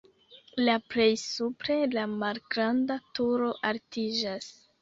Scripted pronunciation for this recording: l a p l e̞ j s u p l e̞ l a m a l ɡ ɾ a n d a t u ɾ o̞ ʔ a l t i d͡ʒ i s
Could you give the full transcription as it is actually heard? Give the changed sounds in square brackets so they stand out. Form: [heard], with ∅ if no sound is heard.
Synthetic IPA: l a p l e̞ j s u p [ɾ] e̞ l a m a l ɡ ɾ a n d a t u ɾ o̞ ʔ a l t i d͡ʒ [a] s